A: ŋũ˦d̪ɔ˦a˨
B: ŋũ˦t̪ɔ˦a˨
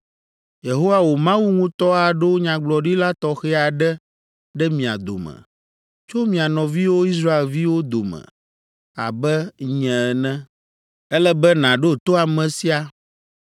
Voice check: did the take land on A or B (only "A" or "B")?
B